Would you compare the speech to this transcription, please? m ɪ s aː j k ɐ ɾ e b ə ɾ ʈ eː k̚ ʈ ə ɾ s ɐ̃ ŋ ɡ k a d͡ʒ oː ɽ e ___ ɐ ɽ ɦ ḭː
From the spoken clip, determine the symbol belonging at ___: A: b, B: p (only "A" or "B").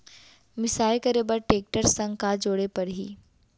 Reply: B